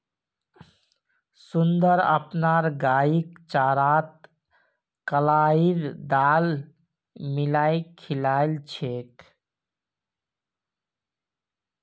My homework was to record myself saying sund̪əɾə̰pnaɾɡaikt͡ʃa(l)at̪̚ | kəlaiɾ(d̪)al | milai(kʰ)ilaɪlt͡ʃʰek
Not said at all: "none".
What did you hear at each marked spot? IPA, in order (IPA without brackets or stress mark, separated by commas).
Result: ɾ, d̪, kʰ